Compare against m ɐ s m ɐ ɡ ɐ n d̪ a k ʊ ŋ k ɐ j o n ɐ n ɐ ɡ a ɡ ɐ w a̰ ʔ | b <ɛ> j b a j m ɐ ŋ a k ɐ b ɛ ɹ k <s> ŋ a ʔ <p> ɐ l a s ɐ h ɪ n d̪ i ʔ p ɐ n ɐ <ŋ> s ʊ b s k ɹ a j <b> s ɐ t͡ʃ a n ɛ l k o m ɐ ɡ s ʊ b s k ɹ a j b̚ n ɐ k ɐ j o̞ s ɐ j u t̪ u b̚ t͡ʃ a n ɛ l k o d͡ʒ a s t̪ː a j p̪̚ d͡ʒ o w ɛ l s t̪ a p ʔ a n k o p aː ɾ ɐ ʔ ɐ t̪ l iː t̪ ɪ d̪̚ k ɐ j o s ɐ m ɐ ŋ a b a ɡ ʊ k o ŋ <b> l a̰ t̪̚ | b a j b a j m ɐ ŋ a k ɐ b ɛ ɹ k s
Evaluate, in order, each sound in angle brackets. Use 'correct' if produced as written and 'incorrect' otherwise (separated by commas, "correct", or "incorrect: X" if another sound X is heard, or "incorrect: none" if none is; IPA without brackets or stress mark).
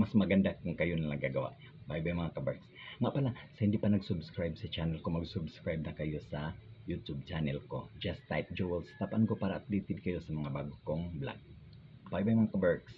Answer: incorrect: a, correct, correct, incorrect: ɡ, correct, correct